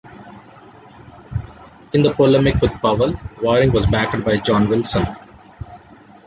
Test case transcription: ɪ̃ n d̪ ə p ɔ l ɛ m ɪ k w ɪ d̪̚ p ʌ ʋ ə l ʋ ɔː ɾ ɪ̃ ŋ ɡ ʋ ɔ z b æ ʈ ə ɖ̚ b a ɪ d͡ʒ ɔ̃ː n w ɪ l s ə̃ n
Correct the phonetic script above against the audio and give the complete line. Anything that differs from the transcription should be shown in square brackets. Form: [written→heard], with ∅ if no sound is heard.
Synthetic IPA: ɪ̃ n d̪ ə p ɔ l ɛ m ɪ k [w→ʋ] ɪ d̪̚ p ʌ ʋ ə l ʋ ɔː ɾ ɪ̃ ŋ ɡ ʋ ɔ z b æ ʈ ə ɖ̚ b a ɪ d͡ʒ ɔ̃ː n [w→ʋ] ɪ l s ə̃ n